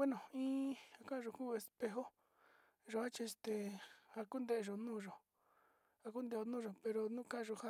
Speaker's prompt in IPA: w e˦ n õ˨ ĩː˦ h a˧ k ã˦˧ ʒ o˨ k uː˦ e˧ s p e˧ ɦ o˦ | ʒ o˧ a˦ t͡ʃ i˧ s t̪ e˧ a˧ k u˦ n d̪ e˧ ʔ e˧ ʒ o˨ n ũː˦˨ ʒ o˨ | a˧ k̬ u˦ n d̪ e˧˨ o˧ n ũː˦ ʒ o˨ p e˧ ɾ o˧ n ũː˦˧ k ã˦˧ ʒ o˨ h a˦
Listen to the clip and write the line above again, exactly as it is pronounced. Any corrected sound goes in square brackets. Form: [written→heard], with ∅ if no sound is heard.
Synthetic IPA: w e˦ n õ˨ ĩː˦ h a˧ k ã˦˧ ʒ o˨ k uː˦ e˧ s p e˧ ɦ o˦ | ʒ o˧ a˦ t͡ʃ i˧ s t̪ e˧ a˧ k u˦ n d̪ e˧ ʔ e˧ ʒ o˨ n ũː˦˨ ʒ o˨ | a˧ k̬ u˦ n d̪ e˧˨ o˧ n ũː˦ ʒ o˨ p e˧ ɾ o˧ n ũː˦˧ k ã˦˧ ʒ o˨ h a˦